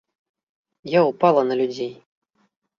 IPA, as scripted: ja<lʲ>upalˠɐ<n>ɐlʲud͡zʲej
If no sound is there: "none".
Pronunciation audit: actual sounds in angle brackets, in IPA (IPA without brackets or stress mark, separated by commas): none, n